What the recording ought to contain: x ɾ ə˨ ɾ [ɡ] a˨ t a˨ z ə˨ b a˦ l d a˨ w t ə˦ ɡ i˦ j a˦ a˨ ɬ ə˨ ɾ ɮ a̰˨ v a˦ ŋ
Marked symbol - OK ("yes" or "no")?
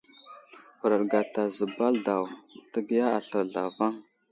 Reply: yes